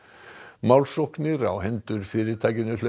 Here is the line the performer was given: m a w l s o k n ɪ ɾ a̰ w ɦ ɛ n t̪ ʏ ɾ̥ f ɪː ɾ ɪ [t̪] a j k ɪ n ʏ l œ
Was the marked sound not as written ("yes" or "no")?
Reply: yes